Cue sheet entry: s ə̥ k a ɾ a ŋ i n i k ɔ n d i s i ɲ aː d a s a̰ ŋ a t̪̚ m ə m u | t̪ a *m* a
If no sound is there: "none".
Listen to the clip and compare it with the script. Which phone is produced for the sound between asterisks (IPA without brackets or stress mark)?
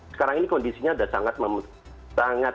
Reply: ŋ